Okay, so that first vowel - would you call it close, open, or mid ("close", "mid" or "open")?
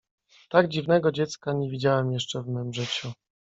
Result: open